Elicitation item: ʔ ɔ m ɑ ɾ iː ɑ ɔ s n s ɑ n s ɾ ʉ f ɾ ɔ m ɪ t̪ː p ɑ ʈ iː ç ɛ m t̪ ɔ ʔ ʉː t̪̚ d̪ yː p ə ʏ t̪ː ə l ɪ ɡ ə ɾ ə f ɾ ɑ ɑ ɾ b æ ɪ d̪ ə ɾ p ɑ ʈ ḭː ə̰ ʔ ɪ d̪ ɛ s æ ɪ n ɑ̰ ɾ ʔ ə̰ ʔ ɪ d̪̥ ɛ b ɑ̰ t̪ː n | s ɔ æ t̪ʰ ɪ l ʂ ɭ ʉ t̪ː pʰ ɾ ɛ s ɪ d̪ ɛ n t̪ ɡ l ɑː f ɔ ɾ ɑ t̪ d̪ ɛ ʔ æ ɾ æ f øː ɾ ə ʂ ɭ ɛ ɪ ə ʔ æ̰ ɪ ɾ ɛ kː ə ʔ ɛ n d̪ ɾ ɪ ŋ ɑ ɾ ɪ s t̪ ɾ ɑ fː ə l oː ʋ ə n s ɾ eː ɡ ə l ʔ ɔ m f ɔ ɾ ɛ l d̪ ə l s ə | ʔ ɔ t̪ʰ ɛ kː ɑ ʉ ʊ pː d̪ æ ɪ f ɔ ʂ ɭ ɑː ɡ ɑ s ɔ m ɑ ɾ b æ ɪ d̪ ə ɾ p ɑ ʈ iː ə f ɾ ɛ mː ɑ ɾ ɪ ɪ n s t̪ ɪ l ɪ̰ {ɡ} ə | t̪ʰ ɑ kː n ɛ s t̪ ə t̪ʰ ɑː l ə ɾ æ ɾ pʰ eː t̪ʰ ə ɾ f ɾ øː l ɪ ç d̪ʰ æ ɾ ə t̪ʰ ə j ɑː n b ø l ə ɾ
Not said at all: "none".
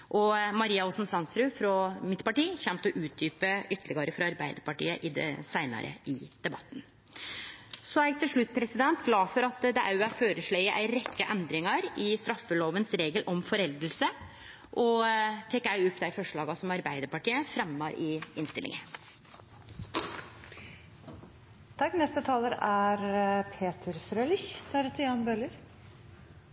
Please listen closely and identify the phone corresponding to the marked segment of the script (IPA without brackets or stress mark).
ŋ